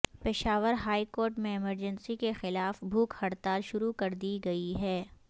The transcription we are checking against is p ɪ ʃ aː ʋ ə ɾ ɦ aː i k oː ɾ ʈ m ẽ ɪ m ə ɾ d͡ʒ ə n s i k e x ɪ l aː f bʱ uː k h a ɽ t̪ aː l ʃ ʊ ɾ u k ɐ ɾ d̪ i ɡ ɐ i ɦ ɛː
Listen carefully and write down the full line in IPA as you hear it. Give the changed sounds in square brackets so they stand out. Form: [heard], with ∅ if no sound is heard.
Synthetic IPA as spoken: p ɪ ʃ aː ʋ ə ɾ ɦ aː i k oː ɾ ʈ m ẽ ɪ m ə ɾ d͡ʒ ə n s i k e x ɪ l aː f bʱ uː k h [ɐ] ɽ t̪ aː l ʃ ʊ ɾ u k ɐ ɾ d̪ i ɡ ɐ i ɦ ɛː